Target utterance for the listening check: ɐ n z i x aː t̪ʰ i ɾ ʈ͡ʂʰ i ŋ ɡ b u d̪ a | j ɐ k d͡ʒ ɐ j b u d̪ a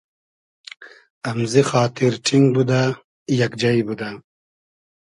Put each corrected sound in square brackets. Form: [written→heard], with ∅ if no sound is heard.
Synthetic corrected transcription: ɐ [n→m] z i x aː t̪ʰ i ɾ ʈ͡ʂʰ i ŋ ɡ b u d̪ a | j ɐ k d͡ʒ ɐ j b u d̪ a